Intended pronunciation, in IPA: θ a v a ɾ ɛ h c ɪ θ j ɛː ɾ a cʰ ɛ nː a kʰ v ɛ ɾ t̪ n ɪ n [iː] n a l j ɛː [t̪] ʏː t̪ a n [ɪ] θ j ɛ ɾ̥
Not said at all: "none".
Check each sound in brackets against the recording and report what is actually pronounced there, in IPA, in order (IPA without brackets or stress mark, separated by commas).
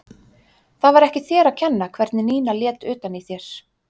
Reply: iː, t̪, i